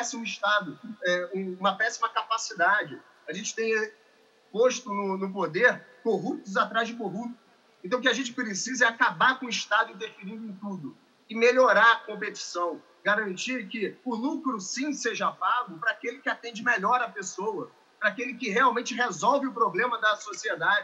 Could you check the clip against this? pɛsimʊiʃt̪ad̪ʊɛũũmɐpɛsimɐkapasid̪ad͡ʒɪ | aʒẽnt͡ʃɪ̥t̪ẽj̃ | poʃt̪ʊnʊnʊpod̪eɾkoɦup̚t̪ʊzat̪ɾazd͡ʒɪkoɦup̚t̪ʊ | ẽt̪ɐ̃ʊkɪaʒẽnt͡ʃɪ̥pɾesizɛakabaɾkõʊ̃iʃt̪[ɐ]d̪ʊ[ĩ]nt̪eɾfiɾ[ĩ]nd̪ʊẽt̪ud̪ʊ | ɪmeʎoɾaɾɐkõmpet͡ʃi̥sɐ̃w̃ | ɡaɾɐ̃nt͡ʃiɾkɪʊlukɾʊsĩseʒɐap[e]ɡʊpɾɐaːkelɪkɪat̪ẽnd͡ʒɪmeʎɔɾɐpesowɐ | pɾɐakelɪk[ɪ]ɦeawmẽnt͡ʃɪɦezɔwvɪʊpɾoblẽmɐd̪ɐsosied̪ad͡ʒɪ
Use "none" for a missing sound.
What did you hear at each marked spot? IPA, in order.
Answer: a, ĩ, ĩ, a, ɪ

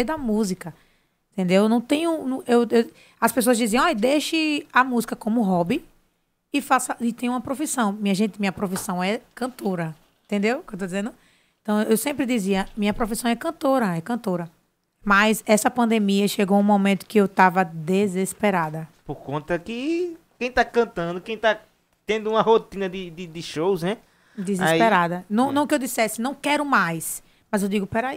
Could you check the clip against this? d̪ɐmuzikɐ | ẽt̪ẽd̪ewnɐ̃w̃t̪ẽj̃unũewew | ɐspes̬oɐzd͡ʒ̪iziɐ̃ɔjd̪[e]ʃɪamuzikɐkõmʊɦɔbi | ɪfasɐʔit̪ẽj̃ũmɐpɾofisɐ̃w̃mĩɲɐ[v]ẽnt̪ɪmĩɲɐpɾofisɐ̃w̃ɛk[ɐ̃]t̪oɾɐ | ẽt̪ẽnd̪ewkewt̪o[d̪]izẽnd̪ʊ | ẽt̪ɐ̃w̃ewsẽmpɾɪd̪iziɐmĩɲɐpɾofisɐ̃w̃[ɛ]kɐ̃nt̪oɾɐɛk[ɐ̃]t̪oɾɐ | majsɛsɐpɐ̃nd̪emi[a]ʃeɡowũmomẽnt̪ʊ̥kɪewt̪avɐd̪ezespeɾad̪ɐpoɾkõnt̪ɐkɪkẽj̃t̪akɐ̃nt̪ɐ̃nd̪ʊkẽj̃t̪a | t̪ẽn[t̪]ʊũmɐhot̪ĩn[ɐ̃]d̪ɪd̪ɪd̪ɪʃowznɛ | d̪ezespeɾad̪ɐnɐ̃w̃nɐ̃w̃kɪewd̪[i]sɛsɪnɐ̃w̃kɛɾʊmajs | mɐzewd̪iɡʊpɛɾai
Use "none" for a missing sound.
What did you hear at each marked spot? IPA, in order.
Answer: e, ʒ, ɐ̃, d̪, ɛ, ɐ̃, ɐ, d̪, ɐ, i

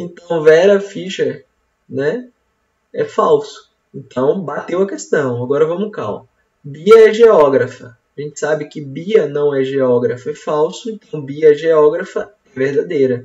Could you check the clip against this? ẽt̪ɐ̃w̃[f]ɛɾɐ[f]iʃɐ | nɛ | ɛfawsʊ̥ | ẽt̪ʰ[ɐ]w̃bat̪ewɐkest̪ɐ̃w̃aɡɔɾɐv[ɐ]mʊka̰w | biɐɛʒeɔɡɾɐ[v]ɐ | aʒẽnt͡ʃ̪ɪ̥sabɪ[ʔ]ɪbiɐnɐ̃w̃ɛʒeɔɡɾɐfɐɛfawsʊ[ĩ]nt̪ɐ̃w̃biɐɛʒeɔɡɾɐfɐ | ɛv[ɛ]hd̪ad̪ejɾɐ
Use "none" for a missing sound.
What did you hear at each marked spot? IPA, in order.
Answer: v, f, ɐ̃, ɐ̃, f, k, ẽ, e

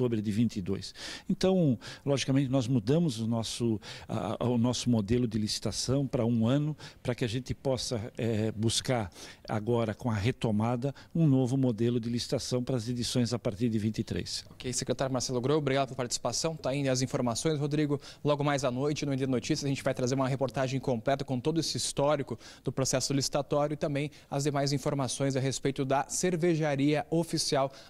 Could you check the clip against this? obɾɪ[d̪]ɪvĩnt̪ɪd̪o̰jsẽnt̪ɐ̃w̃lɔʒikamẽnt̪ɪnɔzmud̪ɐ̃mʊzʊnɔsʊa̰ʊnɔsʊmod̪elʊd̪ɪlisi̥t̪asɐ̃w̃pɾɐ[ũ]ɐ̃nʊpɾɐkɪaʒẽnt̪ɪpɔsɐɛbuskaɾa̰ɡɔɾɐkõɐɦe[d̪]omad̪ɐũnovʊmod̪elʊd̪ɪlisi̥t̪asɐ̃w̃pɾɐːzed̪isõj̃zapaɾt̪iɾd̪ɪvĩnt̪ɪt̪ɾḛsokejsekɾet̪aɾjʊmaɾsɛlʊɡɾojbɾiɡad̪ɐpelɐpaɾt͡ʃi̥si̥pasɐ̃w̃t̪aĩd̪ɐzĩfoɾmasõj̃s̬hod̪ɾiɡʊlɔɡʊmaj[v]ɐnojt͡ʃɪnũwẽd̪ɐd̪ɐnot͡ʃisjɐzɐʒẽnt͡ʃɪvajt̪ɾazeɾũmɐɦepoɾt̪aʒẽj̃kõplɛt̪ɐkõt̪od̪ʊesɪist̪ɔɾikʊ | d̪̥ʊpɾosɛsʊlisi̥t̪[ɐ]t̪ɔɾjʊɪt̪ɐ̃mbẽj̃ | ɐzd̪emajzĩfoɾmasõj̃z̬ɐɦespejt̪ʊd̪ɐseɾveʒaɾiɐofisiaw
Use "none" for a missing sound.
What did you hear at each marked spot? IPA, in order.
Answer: d̪, ũ, t̪, z, a

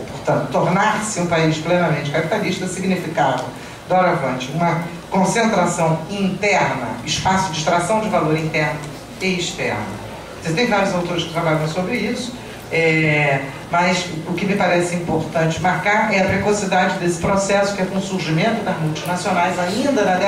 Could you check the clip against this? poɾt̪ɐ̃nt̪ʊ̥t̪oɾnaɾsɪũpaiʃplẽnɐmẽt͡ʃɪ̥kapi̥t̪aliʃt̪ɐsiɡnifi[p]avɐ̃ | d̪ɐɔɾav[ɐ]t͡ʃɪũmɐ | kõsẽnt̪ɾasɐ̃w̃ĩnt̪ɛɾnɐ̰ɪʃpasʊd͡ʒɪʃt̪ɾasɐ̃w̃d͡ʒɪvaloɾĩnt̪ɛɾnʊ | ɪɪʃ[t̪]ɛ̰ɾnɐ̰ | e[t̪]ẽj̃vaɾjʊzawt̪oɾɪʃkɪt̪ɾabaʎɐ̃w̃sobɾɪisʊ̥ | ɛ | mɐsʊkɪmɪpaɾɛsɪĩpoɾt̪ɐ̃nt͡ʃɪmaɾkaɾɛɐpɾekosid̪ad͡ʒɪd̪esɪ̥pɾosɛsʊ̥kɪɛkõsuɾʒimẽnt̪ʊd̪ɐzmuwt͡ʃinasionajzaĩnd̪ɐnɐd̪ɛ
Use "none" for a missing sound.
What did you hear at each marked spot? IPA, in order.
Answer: k, ɐ̃, t̪, t̪

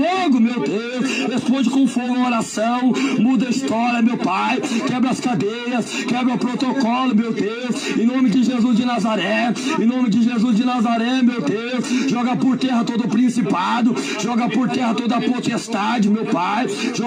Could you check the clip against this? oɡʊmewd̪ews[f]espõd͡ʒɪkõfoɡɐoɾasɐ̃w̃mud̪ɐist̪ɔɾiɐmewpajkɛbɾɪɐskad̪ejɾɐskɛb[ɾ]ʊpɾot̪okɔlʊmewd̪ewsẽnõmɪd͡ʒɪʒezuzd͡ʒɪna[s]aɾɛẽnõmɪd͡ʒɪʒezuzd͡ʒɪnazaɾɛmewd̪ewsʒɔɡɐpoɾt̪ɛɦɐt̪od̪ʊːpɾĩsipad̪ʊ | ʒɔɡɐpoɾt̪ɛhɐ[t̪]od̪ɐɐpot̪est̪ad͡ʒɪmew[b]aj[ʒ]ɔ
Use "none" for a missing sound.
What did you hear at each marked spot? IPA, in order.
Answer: h, ɾ, z, t̪, p, ʒ

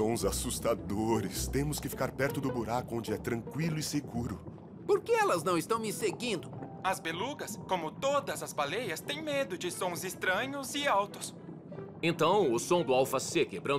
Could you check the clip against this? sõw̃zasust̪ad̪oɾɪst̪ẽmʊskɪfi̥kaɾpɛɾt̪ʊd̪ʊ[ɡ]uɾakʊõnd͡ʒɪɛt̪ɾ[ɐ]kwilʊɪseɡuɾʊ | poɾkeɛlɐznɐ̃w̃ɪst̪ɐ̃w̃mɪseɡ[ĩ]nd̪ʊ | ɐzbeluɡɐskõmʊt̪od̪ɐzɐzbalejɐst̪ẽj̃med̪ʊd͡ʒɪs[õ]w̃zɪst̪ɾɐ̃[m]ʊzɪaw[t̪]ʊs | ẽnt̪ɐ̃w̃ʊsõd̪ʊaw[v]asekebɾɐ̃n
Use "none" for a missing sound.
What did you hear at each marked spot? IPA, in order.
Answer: b, ɐ̃, ĩ, õ, ɲ, t̪, f

